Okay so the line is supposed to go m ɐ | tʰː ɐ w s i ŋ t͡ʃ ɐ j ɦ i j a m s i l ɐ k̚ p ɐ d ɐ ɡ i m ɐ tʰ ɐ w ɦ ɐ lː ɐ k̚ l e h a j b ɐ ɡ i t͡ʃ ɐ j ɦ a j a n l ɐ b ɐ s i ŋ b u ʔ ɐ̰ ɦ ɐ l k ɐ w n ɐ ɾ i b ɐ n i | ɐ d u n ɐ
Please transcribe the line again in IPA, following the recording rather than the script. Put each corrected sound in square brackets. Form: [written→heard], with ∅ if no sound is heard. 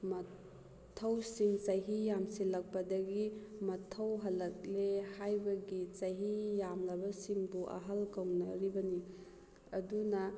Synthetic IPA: m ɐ | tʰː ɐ w s i ŋ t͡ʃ ɐ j ɦ i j a m s i l ɐ k̚ p ɐ d ɐ ɡ i m ɐ tʰ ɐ w ɦ ɐ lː ɐ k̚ l e h a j b ɐ ɡ i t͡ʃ ɐ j ɦ [a→i] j a [n→m] l ɐ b ɐ s i ŋ b u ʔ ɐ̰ ɦ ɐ l k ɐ w n ɐ ɾ i b ɐ n i | ɐ d u n ɐ